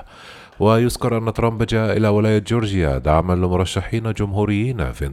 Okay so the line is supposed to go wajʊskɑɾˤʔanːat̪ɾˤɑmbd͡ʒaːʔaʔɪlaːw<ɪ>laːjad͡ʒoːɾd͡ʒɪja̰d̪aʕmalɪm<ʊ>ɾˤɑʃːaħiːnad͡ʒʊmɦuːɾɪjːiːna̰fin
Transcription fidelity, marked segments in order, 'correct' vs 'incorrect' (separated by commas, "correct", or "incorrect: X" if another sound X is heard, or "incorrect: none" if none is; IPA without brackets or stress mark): correct, correct